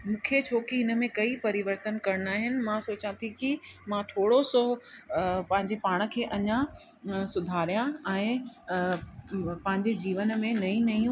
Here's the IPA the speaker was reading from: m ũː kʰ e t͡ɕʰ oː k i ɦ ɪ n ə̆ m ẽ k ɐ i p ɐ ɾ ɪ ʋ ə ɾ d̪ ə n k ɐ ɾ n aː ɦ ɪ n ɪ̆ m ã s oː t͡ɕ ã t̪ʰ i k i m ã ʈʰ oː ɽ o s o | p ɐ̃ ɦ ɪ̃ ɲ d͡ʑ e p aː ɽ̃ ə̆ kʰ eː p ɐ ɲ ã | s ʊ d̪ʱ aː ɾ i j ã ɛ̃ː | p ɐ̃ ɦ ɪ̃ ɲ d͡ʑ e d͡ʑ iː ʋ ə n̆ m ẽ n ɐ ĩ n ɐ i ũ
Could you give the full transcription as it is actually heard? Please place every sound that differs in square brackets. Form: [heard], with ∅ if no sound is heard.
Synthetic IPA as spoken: m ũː kʰ e t͡ɕʰ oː k i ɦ ɪ n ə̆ m ẽ k ɐ i p ɐ ɾ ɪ ʋ ə ɾ [t̪] ə n k ɐ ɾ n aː ɦ ɪ n ɪ̆ m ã s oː t͡ɕ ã t̪ʰ i k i m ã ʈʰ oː ɽ o s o | p ɐ̃ ɦ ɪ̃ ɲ d͡ʑ e p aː ɽ̃ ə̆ kʰ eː [ʔ] ɐ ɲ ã | s ʊ d̪ʱ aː ɾ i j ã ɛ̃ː | p ɐ̃ ɦ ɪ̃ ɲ d͡ʑ e d͡ʑ iː ʋ ə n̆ m ẽ n ɐ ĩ n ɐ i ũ